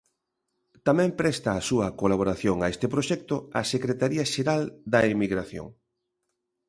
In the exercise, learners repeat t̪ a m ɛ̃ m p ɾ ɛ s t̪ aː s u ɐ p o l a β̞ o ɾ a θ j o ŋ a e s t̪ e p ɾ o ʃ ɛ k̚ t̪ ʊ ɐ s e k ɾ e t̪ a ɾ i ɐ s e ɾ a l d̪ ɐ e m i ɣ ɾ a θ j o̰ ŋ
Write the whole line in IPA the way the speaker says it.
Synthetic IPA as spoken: t̪ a m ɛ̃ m p ɾ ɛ s t̪ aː s u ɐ k o l a β̞ o ɾ a θ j o ŋ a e s t̪ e p ɾ o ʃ ɛ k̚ t̪ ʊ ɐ s e k ɾ e t̪ a ɾ i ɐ ʃ e ɾ a l d̪ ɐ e m i ɣ ɾ a θ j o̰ ŋ